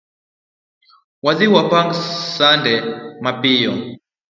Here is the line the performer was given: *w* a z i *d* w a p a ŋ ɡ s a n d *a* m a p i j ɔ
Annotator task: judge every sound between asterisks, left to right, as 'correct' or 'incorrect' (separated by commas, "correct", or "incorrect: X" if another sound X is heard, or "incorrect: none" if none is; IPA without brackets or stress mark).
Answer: correct, incorrect: none, incorrect: ɛ